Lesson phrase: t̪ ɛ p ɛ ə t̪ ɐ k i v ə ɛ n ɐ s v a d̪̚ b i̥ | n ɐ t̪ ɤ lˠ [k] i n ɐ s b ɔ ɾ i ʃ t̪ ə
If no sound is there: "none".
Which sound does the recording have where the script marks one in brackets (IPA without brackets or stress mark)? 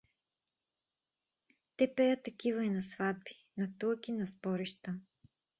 k